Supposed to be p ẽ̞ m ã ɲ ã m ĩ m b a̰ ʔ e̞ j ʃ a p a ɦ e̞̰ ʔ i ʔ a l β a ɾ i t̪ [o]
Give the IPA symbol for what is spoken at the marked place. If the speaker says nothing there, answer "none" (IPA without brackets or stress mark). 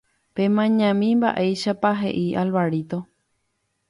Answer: o